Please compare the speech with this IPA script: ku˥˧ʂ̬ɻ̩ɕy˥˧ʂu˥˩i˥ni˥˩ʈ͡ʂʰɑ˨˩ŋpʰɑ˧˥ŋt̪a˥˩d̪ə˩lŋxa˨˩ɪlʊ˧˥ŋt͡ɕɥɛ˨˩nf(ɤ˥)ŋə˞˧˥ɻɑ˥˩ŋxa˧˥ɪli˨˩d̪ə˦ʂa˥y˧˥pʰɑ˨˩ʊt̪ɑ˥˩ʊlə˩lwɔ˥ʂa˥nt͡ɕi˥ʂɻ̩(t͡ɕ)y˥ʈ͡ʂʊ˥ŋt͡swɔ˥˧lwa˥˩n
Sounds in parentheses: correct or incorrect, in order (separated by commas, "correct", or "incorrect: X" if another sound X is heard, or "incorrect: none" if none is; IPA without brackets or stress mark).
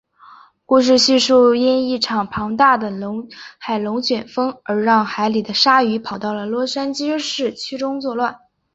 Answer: correct, incorrect: t͡ɕʰ